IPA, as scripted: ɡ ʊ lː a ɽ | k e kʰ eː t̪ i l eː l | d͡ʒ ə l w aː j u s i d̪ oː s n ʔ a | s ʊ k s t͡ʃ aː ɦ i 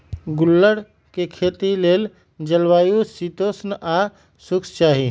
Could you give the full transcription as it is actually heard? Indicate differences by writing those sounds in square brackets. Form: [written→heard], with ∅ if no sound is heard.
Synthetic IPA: ɡ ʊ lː [a→ə] ɽ | k e kʰ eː t̪ i l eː l | d͡ʒ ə l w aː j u s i [d̪→t̪] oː s n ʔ a | s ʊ k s t͡ʃ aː ɦ i